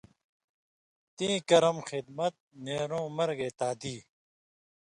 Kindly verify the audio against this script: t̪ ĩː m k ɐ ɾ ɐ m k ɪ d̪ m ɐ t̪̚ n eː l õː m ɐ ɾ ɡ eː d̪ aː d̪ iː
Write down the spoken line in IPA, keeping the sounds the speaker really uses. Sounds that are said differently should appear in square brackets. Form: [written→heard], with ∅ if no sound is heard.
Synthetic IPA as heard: t̪ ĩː [m→∅] k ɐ ɾ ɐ m [k→x] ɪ d̪ m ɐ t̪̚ n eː [l→ɾ] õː m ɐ ɾ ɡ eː [d̪→t̪] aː d̪ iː

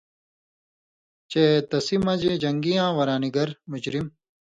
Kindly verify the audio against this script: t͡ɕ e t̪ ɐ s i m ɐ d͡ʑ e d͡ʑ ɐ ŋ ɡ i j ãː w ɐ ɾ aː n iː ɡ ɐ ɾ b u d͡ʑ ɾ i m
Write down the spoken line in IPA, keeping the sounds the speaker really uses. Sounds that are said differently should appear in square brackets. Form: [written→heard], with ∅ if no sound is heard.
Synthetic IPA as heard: t͡ɕ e t̪ ɐ s i m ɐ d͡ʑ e d͡ʑ ɐ ŋ ɡ i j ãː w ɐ ɾ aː n [iː→i] ɡ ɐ ɾ [b→m] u d͡ʑ ɾ i m

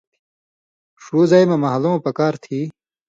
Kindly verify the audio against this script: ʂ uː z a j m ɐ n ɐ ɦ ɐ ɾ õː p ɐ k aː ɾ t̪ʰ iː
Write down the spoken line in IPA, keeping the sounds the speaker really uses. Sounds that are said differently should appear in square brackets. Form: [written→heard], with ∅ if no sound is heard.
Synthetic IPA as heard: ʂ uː z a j m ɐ [n→m] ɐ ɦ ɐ [ɾ→l] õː p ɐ k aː ɾ t̪ʰ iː

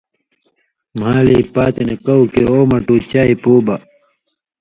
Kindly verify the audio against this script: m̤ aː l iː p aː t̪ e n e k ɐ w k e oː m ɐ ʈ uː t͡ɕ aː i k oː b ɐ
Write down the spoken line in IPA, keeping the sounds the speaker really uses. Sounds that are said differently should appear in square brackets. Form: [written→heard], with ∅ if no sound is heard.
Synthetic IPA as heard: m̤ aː l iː p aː t̪ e n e k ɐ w k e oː m ɐ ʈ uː t͡ɕ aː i [k→p] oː b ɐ

